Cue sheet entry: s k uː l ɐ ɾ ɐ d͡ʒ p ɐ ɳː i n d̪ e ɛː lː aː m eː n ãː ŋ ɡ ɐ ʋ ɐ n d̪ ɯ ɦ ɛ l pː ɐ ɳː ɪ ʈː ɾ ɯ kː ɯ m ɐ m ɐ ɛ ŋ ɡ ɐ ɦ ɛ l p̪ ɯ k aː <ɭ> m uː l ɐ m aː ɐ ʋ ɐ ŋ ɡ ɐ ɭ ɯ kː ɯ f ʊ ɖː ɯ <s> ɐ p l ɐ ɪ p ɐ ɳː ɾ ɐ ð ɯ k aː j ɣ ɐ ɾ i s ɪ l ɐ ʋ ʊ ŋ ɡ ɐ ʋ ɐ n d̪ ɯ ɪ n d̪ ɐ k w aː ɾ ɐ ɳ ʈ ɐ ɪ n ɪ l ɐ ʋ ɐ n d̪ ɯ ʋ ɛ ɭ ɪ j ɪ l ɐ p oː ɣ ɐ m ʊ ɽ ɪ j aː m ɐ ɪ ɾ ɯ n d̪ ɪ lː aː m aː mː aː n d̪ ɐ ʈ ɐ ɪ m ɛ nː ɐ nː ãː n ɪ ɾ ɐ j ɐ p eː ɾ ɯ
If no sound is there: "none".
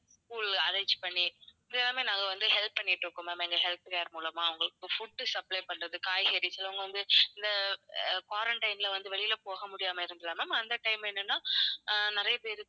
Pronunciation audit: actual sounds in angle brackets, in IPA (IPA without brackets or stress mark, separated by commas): ɾ, s